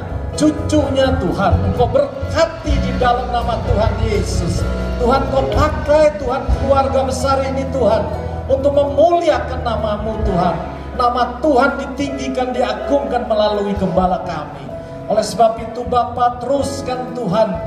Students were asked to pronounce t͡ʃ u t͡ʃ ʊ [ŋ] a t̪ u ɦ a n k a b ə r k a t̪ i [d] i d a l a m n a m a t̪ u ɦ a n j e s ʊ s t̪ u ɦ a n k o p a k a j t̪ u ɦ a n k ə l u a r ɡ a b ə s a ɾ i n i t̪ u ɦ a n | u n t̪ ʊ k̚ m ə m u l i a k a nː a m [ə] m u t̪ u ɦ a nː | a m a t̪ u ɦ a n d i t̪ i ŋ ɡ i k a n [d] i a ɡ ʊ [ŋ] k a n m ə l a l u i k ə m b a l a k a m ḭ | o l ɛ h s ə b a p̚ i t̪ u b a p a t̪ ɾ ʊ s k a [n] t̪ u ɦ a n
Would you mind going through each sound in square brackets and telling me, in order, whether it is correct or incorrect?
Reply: incorrect, correct, incorrect, correct, correct, correct

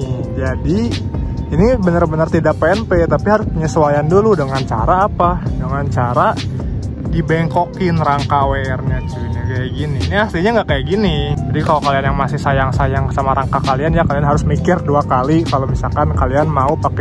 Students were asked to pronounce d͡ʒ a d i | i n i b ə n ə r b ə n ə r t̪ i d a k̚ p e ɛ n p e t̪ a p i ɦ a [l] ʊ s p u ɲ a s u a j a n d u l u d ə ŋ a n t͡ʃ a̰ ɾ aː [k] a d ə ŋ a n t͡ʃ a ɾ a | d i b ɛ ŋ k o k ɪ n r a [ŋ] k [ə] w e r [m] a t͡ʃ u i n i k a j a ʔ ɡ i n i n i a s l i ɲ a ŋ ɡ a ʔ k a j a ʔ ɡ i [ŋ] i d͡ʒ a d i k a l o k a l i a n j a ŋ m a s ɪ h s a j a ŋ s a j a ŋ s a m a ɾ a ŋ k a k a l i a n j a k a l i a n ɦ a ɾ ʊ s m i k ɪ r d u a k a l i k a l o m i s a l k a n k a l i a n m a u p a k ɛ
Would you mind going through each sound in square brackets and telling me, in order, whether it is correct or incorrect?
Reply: incorrect, incorrect, correct, incorrect, incorrect, incorrect

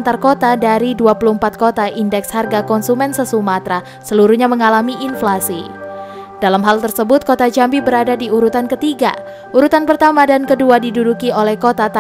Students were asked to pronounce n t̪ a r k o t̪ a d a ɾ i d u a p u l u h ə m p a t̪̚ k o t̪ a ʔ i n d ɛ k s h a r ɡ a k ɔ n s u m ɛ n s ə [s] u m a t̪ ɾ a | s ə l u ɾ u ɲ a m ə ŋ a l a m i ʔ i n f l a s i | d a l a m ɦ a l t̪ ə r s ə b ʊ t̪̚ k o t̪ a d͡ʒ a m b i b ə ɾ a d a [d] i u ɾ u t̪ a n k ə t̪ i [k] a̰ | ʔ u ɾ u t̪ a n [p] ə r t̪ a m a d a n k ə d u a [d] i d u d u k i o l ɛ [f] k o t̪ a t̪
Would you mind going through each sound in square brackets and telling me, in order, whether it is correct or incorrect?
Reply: correct, correct, incorrect, correct, correct, incorrect

